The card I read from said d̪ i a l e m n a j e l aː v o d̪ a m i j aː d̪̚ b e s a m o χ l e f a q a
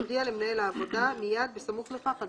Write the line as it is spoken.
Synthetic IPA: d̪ i a l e m n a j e l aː v o d̪ a m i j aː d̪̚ b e s a m u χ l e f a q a